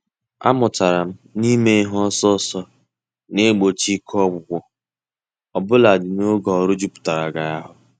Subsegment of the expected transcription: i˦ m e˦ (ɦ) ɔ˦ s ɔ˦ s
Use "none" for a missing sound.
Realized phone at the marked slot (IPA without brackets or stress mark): ɦ